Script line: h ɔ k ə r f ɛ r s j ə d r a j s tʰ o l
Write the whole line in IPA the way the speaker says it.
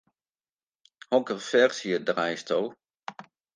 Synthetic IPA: h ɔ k ə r f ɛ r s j ə d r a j s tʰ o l